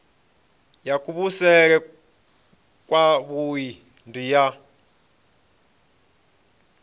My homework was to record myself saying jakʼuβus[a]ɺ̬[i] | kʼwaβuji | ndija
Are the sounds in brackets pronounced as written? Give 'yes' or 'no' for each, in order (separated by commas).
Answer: no, no